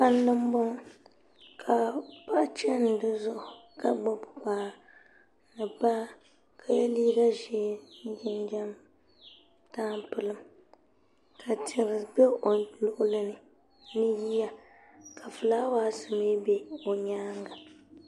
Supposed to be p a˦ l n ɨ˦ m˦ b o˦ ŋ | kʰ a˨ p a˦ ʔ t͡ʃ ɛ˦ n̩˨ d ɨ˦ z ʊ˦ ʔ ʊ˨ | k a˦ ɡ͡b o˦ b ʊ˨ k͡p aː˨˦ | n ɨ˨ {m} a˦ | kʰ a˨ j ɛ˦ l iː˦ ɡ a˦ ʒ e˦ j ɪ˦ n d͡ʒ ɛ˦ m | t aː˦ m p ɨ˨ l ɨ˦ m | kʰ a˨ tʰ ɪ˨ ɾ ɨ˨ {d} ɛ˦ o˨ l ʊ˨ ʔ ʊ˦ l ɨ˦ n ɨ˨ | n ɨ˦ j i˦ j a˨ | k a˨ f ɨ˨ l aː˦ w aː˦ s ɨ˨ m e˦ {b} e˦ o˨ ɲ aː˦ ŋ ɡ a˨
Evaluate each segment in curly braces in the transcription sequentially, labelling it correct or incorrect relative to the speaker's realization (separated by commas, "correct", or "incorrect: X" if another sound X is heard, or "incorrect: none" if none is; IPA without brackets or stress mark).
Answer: incorrect: b, incorrect: b, correct